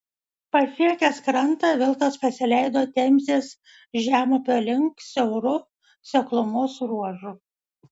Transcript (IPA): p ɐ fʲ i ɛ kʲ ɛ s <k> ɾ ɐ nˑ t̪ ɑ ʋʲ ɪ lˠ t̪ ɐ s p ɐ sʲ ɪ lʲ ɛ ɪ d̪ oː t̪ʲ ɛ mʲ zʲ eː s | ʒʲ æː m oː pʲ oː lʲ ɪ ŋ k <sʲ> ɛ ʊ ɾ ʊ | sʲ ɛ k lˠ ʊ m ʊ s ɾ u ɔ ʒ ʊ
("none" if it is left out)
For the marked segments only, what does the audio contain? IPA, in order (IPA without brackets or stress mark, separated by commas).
k, sʲ